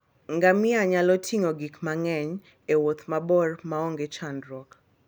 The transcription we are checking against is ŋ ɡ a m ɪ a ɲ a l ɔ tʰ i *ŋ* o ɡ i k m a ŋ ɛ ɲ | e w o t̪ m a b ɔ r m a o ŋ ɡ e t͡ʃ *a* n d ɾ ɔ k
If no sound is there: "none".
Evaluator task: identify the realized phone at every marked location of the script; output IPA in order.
ŋ, a

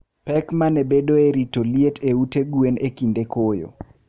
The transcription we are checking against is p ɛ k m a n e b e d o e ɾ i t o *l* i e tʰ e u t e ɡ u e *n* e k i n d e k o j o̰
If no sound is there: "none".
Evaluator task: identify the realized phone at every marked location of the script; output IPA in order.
l, n

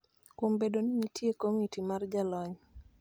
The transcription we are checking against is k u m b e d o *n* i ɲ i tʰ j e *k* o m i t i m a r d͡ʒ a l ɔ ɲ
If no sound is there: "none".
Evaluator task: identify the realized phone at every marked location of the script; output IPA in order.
n, k

